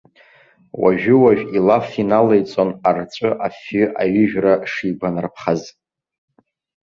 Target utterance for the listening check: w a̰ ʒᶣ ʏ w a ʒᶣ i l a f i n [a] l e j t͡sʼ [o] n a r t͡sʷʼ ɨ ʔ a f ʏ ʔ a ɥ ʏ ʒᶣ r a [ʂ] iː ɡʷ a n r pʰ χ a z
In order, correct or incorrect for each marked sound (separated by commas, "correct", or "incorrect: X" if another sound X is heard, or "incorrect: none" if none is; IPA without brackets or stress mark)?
correct, correct, correct